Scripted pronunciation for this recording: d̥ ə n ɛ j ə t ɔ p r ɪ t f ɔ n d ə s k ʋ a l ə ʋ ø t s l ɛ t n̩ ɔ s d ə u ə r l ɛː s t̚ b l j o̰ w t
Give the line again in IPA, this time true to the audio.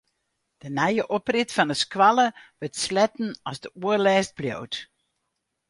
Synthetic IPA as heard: d̥ ə n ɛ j ə ʔ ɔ p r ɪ t f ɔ n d ə s k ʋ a l ə ʋ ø t s l ɛ t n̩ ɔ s d ə u ə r l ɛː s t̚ b l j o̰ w t